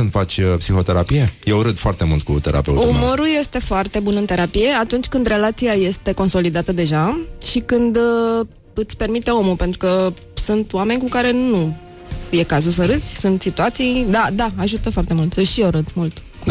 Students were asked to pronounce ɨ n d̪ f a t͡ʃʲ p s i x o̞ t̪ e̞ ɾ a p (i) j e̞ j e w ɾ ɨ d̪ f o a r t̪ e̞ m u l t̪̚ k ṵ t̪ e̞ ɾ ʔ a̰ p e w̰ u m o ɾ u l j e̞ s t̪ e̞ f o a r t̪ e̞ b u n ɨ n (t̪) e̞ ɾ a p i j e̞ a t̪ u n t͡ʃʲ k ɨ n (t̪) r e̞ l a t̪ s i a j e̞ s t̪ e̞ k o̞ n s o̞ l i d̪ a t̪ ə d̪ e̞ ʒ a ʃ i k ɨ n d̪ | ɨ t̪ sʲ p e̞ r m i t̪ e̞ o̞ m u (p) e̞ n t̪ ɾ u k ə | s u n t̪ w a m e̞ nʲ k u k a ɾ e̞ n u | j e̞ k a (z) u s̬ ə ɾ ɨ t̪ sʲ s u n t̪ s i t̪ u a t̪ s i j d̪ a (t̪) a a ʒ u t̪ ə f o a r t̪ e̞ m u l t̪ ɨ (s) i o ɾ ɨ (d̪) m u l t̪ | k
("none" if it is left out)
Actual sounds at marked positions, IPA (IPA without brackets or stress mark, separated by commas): i, t̪, d̪, p, z, d̪, ʃ, d̪